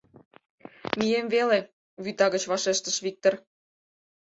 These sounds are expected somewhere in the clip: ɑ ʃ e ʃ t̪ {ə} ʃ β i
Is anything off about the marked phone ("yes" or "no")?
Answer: no